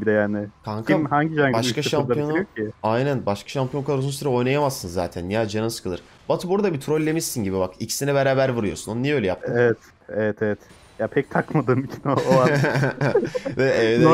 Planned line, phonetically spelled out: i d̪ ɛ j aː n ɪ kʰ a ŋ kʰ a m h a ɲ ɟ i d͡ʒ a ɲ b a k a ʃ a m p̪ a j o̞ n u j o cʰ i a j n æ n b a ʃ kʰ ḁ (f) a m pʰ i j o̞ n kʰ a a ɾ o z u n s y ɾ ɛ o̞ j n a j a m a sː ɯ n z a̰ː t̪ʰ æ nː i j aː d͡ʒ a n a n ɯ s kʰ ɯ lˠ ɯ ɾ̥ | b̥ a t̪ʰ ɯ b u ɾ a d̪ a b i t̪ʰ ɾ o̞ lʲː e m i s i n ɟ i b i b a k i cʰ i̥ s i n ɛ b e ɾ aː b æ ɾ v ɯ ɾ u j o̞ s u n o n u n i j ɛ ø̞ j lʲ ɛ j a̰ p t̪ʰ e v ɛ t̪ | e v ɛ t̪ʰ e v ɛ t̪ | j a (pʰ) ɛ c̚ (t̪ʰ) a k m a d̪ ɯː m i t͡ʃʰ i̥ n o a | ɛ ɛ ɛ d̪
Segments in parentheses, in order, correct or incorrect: incorrect: ʃ, correct, correct

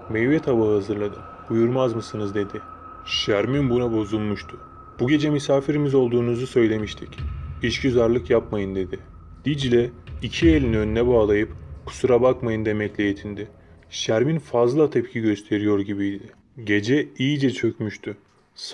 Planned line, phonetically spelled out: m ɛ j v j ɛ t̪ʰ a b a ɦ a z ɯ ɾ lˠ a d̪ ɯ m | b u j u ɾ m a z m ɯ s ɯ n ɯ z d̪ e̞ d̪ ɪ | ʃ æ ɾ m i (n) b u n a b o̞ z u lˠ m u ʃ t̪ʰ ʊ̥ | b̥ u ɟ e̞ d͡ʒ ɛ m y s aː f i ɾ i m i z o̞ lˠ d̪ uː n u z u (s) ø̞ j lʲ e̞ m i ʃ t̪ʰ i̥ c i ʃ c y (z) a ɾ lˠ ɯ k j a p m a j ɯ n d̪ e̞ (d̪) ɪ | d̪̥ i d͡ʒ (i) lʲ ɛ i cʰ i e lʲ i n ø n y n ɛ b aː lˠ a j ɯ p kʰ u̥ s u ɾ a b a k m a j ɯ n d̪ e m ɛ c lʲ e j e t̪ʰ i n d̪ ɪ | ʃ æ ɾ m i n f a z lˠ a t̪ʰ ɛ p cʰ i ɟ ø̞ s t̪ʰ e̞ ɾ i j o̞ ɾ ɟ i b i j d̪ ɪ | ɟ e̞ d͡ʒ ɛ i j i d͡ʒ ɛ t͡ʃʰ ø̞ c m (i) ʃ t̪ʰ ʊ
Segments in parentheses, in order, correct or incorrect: correct, correct, correct, correct, correct, incorrect: y

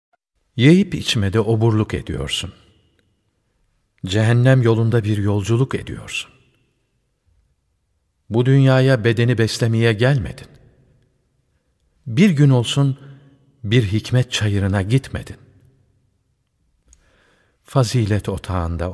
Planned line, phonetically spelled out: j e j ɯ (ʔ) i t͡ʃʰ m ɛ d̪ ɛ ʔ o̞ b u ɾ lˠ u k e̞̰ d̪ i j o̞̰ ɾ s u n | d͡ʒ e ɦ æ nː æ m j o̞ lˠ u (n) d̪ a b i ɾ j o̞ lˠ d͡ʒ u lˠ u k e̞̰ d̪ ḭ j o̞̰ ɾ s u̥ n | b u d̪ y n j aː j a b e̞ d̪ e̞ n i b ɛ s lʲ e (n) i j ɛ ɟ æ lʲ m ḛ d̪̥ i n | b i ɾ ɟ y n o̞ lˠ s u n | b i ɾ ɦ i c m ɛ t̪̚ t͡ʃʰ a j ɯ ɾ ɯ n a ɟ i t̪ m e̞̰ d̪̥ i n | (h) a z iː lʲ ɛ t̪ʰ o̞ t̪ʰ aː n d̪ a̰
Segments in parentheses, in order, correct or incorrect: incorrect: p, correct, incorrect: m, incorrect: f

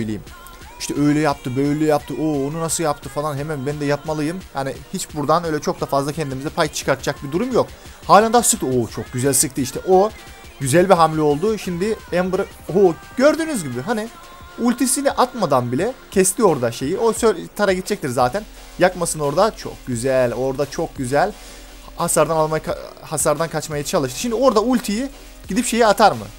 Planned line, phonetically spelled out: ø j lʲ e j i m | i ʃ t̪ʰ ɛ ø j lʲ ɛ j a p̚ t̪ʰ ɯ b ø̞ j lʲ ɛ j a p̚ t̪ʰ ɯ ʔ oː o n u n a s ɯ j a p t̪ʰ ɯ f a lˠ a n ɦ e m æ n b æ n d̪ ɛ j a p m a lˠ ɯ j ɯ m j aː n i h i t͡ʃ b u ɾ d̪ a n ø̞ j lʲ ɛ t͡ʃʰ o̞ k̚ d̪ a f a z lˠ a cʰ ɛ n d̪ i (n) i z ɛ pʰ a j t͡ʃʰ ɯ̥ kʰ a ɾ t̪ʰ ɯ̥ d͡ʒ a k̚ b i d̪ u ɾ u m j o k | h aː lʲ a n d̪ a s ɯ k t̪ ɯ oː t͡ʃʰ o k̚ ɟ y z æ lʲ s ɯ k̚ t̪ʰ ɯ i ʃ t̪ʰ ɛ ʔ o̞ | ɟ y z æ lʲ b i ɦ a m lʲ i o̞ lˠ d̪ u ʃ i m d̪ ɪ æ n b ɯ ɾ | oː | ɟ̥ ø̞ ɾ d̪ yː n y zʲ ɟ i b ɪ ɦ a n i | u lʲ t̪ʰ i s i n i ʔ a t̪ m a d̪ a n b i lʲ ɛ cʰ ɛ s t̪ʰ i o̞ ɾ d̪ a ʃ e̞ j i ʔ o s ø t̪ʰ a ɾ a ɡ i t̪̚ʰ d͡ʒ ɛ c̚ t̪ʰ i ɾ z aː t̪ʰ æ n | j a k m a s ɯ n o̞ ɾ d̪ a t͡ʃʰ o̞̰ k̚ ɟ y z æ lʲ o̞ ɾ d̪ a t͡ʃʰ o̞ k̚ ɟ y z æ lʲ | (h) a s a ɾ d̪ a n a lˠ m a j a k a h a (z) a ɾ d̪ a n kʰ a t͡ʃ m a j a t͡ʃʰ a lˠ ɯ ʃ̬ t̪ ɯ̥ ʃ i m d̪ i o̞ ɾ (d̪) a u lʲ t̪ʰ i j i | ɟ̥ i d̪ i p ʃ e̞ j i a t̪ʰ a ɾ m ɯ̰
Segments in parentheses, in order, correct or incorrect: incorrect: m, correct, incorrect: s, correct

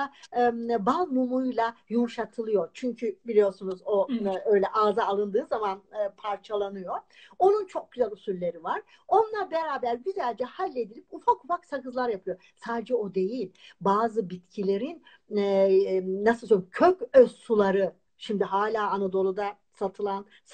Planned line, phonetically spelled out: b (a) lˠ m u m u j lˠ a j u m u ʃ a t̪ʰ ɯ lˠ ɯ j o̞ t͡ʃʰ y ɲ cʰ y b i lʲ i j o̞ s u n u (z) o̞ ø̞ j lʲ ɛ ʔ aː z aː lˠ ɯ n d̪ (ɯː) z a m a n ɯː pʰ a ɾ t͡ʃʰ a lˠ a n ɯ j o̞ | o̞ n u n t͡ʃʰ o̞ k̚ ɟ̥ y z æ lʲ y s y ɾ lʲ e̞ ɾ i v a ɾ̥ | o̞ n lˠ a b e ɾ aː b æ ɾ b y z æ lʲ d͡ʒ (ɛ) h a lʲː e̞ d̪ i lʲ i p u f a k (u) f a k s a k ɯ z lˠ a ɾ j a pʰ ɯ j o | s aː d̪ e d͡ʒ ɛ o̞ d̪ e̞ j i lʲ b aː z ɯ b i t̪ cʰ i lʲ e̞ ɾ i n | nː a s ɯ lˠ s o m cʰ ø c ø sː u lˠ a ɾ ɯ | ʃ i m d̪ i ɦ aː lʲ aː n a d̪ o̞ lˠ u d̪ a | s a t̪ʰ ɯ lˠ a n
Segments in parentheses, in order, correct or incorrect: correct, correct, correct, correct, correct

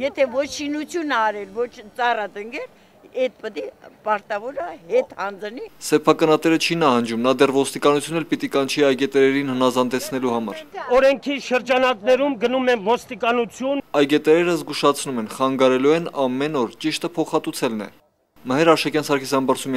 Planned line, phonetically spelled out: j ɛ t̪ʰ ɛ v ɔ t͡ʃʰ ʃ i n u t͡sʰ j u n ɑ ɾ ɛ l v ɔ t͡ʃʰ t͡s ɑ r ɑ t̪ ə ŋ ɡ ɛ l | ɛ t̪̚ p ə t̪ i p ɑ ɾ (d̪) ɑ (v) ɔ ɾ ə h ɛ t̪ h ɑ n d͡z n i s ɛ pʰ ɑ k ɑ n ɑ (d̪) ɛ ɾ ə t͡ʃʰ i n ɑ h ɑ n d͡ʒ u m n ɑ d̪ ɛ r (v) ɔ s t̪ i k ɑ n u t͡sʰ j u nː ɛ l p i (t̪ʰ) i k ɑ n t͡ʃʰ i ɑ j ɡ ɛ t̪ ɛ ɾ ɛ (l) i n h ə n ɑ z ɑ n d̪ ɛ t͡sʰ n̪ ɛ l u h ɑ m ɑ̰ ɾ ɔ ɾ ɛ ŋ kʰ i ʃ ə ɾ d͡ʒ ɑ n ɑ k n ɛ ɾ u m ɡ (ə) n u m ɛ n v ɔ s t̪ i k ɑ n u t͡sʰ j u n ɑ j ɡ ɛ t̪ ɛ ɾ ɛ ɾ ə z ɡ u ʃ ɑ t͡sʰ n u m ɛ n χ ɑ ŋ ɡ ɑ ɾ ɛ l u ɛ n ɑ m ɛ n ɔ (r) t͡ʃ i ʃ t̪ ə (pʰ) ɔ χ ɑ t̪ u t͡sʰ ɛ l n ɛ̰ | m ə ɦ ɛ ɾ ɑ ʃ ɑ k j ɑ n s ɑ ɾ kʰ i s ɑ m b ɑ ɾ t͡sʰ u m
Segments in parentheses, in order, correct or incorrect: incorrect: t̪, correct, incorrect: t̪, correct, incorrect: t̪, incorrect: ɾ, correct, incorrect: ɾ, correct

